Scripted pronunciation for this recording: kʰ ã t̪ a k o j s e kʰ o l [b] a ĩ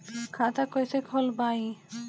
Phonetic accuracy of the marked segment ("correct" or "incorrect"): correct